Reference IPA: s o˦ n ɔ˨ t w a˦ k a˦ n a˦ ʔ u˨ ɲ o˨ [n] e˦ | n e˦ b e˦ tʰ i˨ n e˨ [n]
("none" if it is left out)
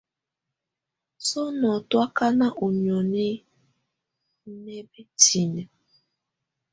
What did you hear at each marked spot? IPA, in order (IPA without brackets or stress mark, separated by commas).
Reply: n, none